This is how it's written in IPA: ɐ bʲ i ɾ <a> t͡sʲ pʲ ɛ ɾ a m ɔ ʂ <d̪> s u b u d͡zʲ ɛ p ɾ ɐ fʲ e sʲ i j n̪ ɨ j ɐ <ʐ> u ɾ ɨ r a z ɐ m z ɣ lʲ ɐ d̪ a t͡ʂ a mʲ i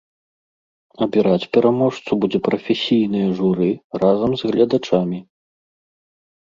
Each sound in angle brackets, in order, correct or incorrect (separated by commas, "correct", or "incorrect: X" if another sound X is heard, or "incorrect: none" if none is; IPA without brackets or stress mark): correct, incorrect: t̪, correct